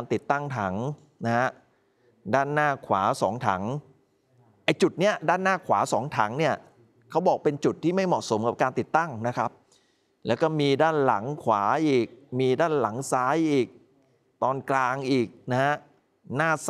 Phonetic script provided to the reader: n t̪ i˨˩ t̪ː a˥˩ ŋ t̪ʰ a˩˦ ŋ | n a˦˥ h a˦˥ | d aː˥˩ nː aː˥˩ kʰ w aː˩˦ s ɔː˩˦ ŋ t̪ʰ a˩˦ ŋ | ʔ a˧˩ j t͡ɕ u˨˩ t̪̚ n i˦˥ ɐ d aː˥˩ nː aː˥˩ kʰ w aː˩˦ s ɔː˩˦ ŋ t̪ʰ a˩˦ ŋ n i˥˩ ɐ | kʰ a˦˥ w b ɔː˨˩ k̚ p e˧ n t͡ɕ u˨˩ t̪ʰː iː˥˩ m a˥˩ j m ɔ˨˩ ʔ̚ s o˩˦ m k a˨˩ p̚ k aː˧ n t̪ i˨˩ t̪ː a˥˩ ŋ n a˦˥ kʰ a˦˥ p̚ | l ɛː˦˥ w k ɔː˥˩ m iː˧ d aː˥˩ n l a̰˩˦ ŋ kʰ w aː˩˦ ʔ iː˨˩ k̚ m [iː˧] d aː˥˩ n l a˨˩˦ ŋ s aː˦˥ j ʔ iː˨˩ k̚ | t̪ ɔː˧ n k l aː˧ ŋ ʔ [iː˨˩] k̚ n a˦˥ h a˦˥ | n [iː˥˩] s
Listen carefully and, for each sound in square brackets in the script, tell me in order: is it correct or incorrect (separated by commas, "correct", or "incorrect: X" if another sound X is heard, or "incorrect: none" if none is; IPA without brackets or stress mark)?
correct, correct, incorrect: aː˥˩